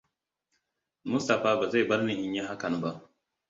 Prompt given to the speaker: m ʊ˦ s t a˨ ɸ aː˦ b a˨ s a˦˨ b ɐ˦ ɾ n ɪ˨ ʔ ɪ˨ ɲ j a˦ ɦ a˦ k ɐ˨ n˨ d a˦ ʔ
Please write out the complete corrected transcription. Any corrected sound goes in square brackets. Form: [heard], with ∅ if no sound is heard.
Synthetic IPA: m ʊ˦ s t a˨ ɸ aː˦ b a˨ [z] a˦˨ b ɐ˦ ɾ n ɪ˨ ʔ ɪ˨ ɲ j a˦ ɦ a˦ k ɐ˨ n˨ [b] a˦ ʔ